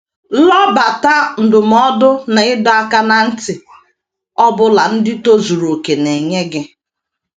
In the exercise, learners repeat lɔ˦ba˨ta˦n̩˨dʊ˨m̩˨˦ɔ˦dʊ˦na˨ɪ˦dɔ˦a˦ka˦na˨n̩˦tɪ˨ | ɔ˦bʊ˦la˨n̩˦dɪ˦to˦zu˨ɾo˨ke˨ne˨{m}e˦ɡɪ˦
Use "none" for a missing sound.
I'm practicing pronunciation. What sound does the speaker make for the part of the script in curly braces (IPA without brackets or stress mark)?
ɲ